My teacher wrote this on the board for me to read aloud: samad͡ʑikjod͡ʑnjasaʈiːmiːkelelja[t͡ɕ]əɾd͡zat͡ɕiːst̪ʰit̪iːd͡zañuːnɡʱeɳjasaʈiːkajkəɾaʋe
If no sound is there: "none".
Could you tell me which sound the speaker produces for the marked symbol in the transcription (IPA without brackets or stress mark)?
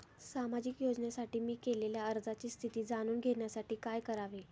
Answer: none